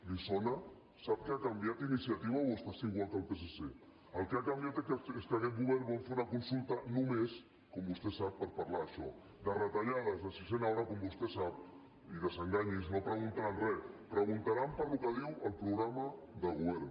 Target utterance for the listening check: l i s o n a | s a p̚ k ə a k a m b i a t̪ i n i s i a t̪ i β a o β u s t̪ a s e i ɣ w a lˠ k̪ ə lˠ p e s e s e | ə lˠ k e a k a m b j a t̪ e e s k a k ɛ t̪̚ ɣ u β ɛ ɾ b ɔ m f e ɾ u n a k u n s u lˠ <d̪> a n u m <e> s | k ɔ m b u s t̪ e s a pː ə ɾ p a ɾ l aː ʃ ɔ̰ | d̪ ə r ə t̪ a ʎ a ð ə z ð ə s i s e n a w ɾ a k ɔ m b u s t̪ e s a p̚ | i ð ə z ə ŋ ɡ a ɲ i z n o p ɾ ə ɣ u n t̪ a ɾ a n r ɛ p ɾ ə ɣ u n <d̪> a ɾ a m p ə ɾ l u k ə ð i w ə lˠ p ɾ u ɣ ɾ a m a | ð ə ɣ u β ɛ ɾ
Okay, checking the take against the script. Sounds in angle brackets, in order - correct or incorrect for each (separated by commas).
incorrect, correct, incorrect